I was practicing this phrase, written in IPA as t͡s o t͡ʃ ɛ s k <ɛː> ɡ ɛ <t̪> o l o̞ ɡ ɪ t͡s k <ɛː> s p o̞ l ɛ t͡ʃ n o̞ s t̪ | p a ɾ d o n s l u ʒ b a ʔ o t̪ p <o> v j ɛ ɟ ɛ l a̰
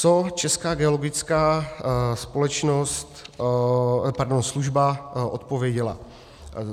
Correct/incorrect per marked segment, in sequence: incorrect: aː, incorrect: none, incorrect: aː, correct

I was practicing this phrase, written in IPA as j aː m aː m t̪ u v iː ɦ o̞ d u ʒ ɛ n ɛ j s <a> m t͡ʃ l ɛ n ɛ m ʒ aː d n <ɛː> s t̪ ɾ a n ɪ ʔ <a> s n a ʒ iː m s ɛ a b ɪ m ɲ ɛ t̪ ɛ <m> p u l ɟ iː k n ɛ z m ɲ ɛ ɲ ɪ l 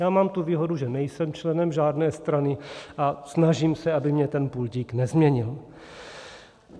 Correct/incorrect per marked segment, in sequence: incorrect: ɛ, correct, correct, incorrect: n

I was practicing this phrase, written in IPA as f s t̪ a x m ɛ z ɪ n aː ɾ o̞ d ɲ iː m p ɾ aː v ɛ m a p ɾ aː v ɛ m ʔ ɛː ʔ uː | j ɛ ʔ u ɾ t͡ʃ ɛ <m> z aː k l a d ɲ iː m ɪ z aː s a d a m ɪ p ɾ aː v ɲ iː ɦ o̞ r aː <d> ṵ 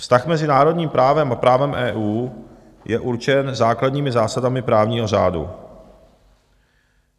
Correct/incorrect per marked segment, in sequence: incorrect: n, correct

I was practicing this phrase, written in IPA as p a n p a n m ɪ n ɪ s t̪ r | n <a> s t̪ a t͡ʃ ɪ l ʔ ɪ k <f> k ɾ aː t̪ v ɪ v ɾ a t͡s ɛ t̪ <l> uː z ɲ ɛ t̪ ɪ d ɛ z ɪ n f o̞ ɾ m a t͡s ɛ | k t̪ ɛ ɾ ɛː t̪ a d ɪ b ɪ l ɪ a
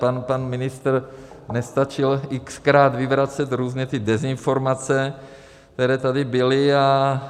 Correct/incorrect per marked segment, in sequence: incorrect: ɛ, incorrect: s, incorrect: ɾ

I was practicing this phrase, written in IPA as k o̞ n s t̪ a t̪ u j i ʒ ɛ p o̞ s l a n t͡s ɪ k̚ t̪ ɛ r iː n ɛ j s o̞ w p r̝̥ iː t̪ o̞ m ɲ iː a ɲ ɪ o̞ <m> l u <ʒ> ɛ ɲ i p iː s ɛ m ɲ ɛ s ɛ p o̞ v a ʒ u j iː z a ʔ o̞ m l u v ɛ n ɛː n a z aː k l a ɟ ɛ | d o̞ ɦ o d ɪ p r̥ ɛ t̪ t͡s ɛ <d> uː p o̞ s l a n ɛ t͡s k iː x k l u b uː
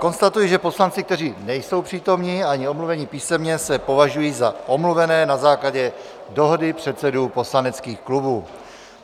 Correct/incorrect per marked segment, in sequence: correct, incorrect: v, correct

